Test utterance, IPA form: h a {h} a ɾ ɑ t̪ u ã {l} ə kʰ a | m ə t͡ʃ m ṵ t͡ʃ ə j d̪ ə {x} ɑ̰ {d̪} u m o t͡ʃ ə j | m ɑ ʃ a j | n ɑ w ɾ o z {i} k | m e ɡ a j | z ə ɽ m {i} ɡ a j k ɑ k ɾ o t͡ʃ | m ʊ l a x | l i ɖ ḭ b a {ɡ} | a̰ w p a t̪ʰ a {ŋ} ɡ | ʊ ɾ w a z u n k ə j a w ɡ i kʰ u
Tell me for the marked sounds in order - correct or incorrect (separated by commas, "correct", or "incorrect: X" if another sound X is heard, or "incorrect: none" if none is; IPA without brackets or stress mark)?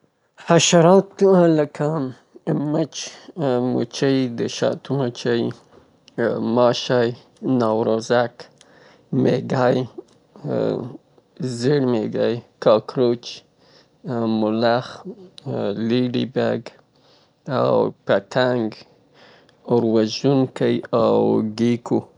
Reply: incorrect: ʃ, correct, incorrect: ʃ, incorrect: t̪, incorrect: a, incorrect: e, correct, correct